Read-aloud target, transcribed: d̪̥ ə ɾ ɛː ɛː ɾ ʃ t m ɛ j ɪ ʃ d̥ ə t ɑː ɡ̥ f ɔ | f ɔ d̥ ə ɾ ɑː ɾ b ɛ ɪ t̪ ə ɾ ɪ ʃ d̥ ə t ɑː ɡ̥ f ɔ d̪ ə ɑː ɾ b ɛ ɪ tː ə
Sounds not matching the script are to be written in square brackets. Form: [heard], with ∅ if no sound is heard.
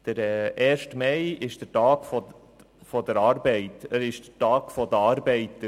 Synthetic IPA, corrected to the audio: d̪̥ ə ɾ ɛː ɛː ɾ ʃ t m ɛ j ɪ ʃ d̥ ə t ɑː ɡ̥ f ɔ | f ɔ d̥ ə ɾ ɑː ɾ b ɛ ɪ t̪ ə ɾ ɪ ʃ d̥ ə t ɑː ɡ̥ f ɔ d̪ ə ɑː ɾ b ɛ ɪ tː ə

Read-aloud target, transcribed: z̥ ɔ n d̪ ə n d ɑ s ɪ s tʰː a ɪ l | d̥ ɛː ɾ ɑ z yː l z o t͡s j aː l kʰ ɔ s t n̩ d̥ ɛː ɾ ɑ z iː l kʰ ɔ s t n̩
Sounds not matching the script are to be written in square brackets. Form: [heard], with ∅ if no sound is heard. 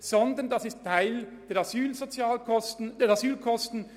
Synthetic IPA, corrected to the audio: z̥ ɔ n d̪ ə n d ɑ s ɪ s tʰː a ɪ l | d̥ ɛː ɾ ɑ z yː l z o t͡s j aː l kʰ ɔ s t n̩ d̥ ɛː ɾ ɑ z [yː] l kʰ ɔ s t n̩

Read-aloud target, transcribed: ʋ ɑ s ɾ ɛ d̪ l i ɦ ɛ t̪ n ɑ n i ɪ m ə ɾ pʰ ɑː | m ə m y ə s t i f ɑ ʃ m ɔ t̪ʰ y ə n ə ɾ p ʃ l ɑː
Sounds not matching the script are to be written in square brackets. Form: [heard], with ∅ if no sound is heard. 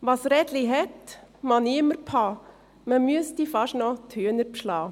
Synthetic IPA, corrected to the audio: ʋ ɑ s ɾ ɛ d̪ l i ɦ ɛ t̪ [m] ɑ n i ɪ m ə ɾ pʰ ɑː | m ə m y ə s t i f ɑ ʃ [n] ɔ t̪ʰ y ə n ə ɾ p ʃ l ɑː

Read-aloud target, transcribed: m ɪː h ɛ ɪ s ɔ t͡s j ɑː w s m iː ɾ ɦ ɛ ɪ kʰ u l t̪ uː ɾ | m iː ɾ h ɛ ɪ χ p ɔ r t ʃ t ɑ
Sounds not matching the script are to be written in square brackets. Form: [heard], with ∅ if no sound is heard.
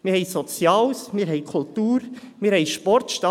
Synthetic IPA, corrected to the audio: m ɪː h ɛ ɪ s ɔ t͡s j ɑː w s m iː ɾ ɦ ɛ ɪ kʰ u l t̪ uː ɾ | m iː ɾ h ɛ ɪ [ʃ] p ɔ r t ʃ t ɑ

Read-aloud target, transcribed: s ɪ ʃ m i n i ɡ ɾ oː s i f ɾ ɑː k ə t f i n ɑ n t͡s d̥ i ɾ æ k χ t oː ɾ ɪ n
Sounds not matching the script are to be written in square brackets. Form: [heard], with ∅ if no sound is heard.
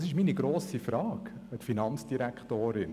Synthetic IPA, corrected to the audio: s ɪ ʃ m i n i ɡ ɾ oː s i f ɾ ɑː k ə t f i n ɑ n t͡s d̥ i ɾ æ k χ t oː ɾ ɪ n

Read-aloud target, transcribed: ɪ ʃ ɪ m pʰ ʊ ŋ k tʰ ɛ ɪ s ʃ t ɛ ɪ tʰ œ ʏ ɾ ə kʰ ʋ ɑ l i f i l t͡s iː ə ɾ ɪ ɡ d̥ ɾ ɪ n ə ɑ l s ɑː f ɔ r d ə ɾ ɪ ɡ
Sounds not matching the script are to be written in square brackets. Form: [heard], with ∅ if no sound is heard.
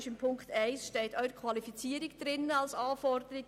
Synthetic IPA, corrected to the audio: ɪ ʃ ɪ m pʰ ʊ ŋ k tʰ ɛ ɪ s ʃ t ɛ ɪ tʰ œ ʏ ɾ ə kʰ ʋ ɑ l i f i [∅] t͡s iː ə ɾ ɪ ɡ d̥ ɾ ɪ n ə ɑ l s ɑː f ɔ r d ə ɾ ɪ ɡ

